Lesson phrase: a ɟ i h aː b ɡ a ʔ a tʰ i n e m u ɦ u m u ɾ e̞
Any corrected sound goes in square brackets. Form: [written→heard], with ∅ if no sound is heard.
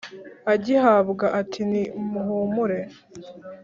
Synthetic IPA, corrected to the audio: a ɟ i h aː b ɡ a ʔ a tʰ i n [e→i] m u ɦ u m u ɾ e̞